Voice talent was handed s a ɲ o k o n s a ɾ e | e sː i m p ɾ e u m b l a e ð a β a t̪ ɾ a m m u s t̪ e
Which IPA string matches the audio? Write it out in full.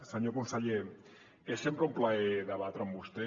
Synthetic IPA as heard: s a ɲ o k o n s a ʎ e | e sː e m p ɾ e u m p l a e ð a β a t̪ ɾ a m b u s t̪ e